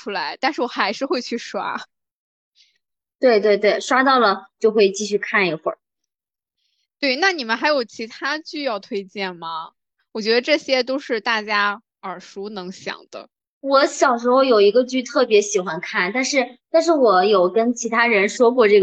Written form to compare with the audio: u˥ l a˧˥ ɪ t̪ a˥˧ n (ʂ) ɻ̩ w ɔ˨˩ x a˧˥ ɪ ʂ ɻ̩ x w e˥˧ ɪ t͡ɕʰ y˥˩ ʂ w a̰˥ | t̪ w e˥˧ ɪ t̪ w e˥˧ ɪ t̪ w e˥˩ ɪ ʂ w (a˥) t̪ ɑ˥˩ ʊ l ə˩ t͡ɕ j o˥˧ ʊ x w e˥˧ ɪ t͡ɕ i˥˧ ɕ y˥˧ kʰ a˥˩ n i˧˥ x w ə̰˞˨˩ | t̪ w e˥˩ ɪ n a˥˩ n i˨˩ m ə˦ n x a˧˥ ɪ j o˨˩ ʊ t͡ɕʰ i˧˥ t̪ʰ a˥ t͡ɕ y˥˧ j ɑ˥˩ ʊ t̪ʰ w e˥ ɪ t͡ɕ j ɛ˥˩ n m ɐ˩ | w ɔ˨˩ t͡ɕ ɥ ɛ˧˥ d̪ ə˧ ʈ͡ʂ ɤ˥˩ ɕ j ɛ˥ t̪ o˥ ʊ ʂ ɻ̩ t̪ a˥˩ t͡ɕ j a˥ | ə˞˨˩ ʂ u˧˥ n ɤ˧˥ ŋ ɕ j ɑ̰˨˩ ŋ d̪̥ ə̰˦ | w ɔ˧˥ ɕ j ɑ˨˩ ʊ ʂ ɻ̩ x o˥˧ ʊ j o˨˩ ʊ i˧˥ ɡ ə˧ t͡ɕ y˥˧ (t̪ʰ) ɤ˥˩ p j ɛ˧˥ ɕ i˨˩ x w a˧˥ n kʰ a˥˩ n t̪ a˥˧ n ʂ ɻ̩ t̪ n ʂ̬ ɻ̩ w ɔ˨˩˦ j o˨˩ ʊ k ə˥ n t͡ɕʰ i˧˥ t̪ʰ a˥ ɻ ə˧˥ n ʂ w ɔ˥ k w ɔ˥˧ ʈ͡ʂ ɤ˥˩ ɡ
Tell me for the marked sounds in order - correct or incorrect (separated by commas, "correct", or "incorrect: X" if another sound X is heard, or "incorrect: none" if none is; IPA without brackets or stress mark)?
correct, correct, correct